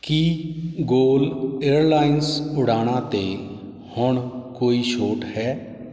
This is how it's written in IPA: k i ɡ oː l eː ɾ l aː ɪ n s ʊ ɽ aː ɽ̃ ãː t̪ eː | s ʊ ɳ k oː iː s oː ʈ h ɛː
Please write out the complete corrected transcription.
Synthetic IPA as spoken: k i ɡ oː l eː ɾ l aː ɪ n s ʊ ɽ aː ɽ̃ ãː t̪ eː | h ʊ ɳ k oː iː ʃ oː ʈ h ɛː